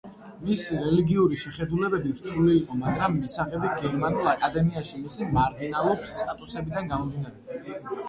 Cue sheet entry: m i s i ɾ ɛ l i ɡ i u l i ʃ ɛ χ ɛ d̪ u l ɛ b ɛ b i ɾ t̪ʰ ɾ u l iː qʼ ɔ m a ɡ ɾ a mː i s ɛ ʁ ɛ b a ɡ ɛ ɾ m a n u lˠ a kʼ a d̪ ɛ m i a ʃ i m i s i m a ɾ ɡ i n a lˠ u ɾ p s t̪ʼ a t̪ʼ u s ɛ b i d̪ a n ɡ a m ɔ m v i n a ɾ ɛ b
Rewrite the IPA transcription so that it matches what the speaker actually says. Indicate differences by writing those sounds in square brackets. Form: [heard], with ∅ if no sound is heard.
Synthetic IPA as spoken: m i s i ɾ ɛ l i ɡ i u [ɾ] i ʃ ɛ χ ɛ d̪ u l ɛ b ɛ b i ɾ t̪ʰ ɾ u l iː qʼ ɔ m a ɡ ɾ a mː i s [a] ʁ ɛ b [i] ɡ ɛ ɾ m a n u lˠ a kʼ a d̪ ɛ m i a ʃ i m i s i m a ɾ ɡ i n a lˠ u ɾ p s t̪ʼ a t̪ʼ u s ɛ b i d̪ a n ɡ a m ɔ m v i n a ɾ ɛ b